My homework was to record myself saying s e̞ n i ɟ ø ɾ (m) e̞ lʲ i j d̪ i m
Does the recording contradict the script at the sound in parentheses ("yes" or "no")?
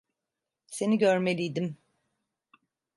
no